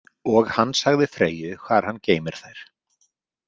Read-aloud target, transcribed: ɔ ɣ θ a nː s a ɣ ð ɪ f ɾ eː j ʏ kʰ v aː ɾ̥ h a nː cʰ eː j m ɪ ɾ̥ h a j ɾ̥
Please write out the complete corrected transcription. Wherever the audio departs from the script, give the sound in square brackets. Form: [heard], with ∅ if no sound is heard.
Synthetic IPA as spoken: ɔ ɣ [h] a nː s a ɣ ð ɪ f ɾ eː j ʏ kʰ v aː ɾ̥ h a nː [c] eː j m ɪ ɾ̥ [θ] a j ɾ̥